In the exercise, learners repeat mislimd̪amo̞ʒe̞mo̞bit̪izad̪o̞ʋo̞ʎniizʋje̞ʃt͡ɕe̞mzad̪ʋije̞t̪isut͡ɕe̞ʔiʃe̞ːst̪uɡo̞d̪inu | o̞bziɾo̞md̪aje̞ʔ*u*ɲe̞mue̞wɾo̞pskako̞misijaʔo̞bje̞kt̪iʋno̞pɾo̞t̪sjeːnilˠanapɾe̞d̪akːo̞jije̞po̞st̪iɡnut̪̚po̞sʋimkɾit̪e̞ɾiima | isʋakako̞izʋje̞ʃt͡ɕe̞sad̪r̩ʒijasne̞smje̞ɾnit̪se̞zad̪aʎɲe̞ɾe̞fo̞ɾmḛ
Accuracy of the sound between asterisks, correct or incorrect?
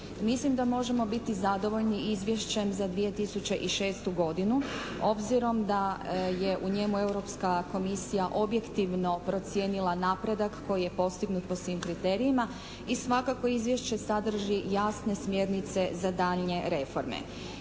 correct